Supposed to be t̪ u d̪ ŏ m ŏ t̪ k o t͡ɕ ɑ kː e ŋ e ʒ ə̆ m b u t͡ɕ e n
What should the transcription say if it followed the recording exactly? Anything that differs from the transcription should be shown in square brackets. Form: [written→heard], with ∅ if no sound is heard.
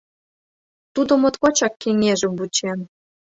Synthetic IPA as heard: t̪ u d̪ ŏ m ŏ t̪ k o t͡ɕ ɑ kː e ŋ e ʒ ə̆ m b u t͡ɕ e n